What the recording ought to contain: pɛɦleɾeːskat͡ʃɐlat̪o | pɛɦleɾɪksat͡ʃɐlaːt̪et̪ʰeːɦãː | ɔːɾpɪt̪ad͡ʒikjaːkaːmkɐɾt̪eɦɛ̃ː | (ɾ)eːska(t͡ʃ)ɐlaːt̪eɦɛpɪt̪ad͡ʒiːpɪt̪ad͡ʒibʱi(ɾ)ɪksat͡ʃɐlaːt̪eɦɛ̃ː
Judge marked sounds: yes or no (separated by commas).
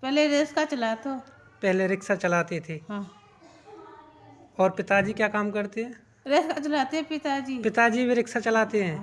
yes, yes, yes